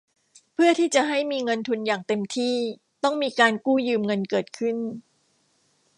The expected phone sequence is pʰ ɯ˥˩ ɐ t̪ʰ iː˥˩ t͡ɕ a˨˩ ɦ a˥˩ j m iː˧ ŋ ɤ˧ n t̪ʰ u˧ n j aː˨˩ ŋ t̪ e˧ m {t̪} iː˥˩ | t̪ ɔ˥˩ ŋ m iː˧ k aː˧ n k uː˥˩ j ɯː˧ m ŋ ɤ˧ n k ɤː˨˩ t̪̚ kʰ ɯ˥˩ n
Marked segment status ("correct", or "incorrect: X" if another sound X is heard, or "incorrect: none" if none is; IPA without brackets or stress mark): incorrect: t̪ʰ